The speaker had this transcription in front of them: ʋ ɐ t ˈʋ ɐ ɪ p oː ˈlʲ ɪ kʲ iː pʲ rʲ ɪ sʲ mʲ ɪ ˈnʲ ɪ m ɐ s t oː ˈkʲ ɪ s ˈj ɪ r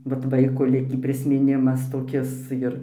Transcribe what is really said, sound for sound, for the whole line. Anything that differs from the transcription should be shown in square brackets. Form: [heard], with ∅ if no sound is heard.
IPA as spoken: ʋ ɐ t ˈʋ ɐ ɪ [k] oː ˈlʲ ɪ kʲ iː pʲ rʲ ɪ sʲ mʲ ɪ ˈnʲ ɪ m ɐ s t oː ˈkʲ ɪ s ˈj ɪ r